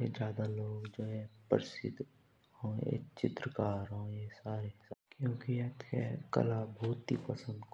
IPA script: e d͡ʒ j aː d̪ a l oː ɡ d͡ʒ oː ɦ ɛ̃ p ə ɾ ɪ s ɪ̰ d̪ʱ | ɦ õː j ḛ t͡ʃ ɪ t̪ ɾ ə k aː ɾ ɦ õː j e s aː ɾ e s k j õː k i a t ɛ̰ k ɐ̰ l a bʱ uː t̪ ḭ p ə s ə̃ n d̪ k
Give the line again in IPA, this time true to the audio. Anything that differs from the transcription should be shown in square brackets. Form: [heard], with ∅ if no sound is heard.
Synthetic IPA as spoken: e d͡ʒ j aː d̪ a l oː ɡ d͡ʒ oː ɦ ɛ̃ p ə ɾ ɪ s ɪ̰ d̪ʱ | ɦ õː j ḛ t͡ʃ ɪ t̪ ɾ ə k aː ɾ ɦ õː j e s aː ɾ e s k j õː k i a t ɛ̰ k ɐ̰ l a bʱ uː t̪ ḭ p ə s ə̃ n d̪ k